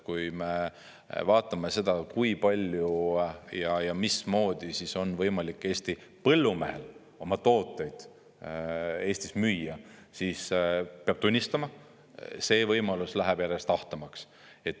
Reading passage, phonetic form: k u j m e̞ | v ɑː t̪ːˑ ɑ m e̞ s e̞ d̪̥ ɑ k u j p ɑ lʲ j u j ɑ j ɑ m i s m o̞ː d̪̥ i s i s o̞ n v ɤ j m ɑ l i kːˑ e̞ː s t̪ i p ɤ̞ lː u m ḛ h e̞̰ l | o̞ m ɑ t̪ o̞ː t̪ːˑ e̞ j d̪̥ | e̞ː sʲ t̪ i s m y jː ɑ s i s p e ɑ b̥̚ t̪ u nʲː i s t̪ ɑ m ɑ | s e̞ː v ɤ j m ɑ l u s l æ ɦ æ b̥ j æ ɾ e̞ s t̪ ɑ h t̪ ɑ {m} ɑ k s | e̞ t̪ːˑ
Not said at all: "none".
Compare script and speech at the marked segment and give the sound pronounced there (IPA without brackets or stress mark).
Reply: m